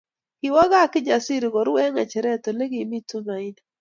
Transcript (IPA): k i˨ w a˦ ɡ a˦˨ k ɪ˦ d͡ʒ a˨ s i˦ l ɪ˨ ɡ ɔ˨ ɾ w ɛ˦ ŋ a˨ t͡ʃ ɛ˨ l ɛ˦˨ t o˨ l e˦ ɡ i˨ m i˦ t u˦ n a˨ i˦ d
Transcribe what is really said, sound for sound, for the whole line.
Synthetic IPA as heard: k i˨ w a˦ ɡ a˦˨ k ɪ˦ d͡ʒ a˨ s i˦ ɾ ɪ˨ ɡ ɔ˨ ɾ w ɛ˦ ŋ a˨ t͡ʃ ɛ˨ ɾ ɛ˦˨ t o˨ l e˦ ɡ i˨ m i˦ t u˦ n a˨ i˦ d